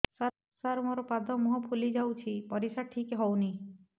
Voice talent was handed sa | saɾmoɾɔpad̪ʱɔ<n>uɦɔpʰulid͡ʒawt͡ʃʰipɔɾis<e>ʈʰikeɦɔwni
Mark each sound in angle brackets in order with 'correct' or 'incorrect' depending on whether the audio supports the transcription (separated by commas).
incorrect, incorrect